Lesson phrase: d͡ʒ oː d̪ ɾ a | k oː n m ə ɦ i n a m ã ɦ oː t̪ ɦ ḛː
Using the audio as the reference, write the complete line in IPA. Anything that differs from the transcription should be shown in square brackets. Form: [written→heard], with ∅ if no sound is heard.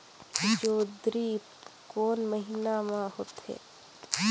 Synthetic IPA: d͡ʒ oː d̪ ɾ [a→i] | k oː n m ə ɦ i n a m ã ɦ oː t̪ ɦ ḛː